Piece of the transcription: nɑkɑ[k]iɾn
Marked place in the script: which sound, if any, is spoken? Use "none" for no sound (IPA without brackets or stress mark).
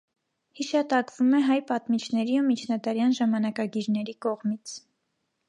ɡ